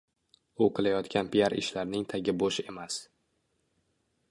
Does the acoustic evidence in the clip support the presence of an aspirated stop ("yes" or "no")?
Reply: yes